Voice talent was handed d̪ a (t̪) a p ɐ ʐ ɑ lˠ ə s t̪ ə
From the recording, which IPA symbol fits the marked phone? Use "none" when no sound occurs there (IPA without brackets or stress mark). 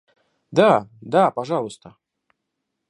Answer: d̪